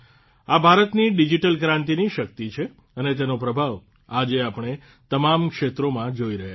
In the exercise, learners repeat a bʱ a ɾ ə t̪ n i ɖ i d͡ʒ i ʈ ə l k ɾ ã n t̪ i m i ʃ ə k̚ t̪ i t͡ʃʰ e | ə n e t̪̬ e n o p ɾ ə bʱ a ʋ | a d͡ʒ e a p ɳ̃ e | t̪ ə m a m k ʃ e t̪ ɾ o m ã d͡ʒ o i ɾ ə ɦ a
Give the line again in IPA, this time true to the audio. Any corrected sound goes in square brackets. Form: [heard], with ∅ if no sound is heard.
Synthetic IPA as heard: a bʱ a ɾ ə t̪ n i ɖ i d͡ʒ i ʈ ə l k ɾ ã n t̪ i [n] i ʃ ə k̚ t̪ i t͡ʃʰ e | ə n e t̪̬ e n o p ɾ ə bʱ a ʋ | a d͡ʒ e a p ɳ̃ e | t̪ ə m a m k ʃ e t̪ ɾ o m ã d͡ʒ o i ɾ ə ɦ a

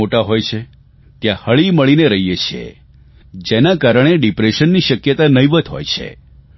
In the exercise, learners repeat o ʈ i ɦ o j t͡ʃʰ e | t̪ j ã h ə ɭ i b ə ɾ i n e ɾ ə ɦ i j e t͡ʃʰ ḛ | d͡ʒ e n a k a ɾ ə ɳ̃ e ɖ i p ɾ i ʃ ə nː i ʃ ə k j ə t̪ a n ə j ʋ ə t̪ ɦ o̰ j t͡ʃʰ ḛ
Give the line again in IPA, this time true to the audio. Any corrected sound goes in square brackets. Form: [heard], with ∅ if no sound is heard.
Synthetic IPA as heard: o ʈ [a] ɦ o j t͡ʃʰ e | t̪ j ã h ə ɭ i [m] ə [ɭ] i n e ɾ ə ɦ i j e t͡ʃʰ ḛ | d͡ʒ e n a k a ɾ ə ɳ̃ e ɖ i p ɾ [e] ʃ ə nː i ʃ ə k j ə t̪ a n ə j ʋ ə t̪ ɦ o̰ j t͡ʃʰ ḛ

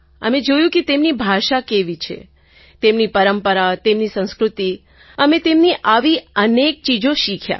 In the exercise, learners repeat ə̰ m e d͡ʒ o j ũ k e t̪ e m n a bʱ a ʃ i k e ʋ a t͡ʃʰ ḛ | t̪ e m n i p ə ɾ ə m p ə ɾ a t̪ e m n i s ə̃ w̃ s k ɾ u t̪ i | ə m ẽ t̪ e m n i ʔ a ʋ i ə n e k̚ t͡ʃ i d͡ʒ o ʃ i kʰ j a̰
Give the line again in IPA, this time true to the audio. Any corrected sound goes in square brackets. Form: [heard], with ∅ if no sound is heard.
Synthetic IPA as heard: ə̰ m e d͡ʒ o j ũ k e t̪ e m n [i] bʱ a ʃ [a] k e ʋ [i] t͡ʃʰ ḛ | t̪ e m n i p ə ɾ ə m p ə ɾ a t̪ e m n i s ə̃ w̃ s k ɾ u t̪ i | ə m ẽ t̪ e m n i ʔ a ʋ i ə n e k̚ t͡ʃ i d͡ʒ o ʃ i kʰ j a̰

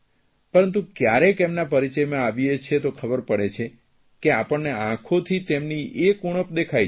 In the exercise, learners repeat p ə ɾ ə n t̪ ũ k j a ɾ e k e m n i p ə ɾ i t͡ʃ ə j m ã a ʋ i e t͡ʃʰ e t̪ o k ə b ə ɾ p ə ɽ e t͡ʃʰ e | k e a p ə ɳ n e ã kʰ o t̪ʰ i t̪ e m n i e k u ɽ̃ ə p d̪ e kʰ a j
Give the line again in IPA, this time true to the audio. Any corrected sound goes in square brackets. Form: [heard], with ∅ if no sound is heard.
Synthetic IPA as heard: p ə ɾ ə n t̪ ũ k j a ɾ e k e m n [a] p ə ɾ i t͡ʃ ə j m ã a ʋ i e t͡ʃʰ e t̪ o [kʰ] ə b ə ɾ p ə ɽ e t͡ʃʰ e | k e a p ə ɳ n e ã kʰ o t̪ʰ i t̪ e m n i e k u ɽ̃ ə p d̪ e kʰ a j

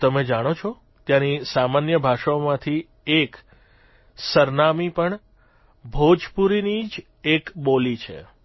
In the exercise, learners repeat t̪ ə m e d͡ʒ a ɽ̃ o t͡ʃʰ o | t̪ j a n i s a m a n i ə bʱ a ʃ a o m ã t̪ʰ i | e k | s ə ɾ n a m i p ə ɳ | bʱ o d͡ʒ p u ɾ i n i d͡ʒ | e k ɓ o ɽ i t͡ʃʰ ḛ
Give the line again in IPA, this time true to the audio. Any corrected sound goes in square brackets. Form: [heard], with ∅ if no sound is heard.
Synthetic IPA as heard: t̪ ə m e d͡ʒ a ɽ̃ o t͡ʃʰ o | t̪ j a n i s a m a n [j] ə bʱ a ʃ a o m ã t̪ʰ i | e k | s ə ɾ n a m i p ə ɳ | bʱ o d͡ʒ p u ɾ i n i d͡ʒ | e k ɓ o [l] i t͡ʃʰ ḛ

